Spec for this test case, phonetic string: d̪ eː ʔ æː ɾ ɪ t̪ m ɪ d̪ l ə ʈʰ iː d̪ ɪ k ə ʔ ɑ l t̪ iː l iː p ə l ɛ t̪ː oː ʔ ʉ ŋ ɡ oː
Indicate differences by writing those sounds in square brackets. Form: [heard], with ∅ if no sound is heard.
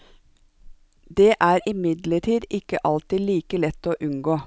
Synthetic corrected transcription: d̪ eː ʔ æː ɾ ɪ [∅] m ɪ d̪ l ə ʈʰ iː d̪ ɪ k ə ʔ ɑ l t̪ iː l iː [k] ə l ɛ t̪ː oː ʔ ʉ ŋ ɡ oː